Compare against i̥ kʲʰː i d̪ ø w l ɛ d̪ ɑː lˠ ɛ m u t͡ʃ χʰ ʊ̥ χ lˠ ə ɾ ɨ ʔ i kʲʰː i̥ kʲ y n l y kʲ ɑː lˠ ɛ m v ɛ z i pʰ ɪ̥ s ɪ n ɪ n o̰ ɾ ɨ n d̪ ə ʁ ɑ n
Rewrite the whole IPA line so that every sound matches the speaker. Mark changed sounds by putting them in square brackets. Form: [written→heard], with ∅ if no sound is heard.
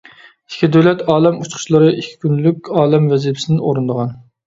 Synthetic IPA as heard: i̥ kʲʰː i d̪ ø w l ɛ [d̪→t̪] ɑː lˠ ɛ m u t͡ʃ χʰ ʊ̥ [χ→ʃ] lˠ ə ɾ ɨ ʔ i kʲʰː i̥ kʲ y n l y kʲ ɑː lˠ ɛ m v ɛ z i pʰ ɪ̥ s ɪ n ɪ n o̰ ɾ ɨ n d̪ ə ʁ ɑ n